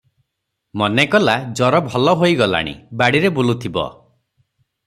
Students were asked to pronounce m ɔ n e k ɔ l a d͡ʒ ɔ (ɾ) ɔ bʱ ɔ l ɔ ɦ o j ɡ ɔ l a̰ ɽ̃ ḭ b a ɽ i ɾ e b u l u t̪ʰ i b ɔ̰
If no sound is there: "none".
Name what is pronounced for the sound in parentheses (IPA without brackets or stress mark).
ɾ